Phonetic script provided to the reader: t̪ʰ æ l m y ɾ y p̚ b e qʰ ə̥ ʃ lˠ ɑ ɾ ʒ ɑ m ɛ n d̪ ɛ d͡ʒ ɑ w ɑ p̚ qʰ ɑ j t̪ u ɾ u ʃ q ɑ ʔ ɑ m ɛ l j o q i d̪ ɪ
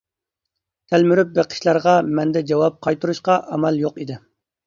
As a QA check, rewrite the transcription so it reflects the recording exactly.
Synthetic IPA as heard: t̪ʰ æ l m y ɾ y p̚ b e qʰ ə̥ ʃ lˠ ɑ ɾ ʁ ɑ m ɛ n d̪ ɛ d͡ʒ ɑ w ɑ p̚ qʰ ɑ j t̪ u ɾ u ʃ q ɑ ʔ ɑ m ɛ l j o q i d̪ ɪ